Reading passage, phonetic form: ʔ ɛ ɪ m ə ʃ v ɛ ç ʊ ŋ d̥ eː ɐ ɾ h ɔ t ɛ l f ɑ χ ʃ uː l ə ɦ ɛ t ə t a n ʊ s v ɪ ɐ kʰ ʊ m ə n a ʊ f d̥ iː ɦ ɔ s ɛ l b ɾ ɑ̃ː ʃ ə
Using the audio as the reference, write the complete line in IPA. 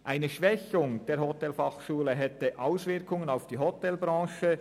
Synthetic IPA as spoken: ʔ a ɪ n ə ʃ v ɛ ç ʊ ŋ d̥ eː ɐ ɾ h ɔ t ɛ l f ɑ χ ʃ uː l ə ɦ ɛ t ə ʔ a ʊ s v ɪ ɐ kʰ ʊ ŋ ə n a ʊ f d̥ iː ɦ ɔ t ɛ l b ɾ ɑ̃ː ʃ ə